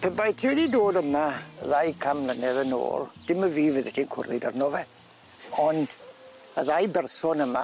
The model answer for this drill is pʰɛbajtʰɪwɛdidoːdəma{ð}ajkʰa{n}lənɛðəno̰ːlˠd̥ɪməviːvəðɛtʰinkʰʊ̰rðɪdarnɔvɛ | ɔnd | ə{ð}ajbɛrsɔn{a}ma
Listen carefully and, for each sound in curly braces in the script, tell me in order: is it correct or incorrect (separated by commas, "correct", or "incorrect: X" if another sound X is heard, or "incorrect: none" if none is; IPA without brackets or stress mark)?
correct, incorrect: m, correct, incorrect: ə